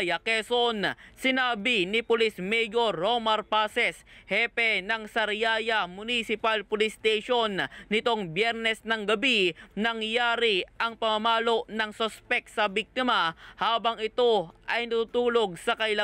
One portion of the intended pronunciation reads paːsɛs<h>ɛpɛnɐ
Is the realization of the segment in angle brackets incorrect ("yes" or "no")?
no